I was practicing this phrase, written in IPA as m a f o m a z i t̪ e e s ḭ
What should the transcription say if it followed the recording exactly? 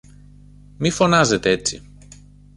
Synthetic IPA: m i f o n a z e t̪ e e t͡s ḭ